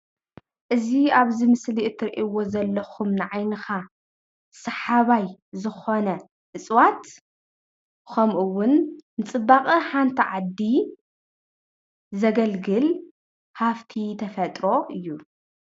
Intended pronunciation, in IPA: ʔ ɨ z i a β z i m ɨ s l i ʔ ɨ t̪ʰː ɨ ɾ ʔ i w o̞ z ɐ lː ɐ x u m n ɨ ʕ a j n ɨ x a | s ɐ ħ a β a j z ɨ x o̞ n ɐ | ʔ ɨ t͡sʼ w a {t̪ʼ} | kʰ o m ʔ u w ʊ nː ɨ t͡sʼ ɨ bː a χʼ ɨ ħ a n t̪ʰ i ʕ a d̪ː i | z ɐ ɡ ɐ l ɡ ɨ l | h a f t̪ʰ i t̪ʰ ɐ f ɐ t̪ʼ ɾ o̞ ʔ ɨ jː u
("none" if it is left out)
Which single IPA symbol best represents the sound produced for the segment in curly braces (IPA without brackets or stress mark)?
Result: t̪